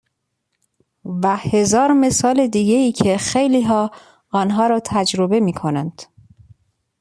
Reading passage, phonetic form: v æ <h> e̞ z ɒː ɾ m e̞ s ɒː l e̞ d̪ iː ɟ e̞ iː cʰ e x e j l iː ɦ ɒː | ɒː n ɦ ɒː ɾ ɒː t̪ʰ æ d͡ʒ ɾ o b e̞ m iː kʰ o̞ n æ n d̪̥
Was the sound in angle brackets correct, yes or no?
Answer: yes